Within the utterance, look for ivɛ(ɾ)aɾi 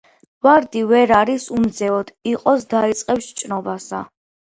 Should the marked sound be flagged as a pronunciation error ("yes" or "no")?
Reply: no